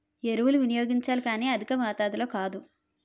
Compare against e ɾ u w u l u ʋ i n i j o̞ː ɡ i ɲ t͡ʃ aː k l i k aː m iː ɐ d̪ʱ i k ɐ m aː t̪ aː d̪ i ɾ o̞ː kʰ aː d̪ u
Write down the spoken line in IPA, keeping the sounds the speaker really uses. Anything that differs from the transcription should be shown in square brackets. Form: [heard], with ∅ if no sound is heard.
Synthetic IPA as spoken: e ɾ u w u l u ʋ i n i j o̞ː ɡ i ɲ t͡ʃ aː [∅] l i k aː [n] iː ɐ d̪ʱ i k ɐ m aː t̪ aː d̪ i [l] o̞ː [k] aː d̪ u